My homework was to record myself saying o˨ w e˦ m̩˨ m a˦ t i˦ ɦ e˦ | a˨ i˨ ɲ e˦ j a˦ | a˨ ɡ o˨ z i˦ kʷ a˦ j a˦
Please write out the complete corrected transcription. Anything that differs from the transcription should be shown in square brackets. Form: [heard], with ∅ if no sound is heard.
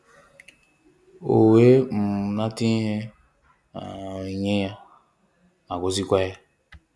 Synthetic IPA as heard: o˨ w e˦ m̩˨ [n] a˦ t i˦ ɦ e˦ | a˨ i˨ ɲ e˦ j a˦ | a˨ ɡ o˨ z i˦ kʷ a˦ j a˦